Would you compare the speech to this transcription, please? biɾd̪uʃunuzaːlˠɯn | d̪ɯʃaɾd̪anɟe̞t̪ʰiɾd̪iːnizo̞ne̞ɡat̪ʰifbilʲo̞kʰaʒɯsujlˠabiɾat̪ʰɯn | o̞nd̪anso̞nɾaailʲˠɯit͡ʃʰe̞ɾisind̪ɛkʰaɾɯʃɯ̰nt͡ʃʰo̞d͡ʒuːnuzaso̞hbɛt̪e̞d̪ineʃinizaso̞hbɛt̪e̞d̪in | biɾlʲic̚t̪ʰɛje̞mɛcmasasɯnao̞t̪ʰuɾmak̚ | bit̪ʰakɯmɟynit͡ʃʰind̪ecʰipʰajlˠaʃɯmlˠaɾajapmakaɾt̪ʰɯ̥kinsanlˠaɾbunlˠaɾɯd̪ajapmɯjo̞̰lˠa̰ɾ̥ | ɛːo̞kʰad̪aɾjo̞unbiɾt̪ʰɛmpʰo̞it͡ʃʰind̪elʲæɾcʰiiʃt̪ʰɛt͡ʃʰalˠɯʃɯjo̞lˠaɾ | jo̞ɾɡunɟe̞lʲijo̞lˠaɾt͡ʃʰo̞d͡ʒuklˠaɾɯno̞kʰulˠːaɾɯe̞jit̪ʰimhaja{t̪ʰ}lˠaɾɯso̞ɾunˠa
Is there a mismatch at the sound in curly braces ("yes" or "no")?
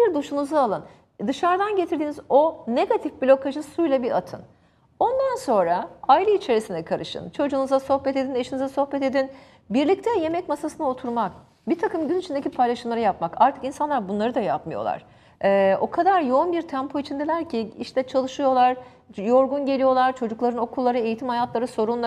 yes